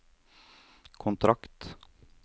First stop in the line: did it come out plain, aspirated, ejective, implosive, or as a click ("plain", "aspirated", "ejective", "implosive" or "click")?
aspirated